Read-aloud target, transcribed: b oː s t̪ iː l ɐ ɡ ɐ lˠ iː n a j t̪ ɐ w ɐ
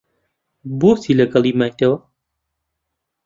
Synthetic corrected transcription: b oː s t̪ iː l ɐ ɡ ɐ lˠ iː m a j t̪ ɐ w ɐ